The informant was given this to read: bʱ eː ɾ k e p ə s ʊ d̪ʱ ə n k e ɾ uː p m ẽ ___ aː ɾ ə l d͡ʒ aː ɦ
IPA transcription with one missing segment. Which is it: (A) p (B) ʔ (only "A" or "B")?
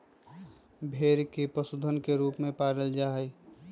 A